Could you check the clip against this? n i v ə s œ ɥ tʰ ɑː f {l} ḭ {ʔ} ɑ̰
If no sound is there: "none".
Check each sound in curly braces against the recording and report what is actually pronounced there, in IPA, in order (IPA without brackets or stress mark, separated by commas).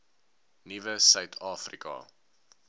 r, k